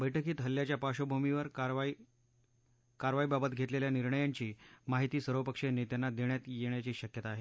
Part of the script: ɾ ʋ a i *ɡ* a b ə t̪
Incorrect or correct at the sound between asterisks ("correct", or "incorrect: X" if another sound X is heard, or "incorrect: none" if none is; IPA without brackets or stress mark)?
incorrect: b